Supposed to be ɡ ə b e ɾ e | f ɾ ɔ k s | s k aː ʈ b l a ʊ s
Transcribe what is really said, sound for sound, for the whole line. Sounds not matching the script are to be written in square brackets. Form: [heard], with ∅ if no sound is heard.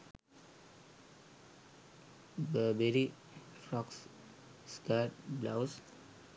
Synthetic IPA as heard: [b] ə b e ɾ [i] | f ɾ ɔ k s | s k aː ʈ b l a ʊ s